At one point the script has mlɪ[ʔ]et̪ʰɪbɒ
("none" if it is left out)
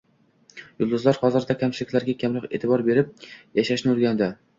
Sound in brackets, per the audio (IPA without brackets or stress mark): q